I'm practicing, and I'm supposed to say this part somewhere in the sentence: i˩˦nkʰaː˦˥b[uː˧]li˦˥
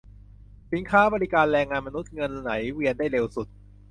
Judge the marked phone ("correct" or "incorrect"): incorrect